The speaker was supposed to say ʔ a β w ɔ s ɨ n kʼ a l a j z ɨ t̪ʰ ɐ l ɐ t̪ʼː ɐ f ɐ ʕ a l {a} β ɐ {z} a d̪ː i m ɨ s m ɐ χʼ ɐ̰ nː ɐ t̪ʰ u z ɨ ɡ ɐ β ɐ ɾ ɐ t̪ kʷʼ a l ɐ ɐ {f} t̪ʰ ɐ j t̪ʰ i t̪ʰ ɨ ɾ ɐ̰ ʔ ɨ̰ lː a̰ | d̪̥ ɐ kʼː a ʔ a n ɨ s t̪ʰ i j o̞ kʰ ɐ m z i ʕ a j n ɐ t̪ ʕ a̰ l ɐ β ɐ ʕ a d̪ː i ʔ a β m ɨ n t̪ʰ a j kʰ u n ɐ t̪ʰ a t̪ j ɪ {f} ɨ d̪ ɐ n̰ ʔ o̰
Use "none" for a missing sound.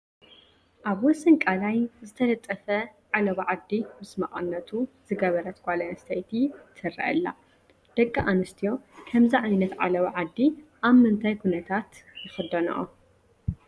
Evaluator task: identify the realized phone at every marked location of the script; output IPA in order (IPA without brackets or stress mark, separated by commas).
ɐ, ʕ, s, x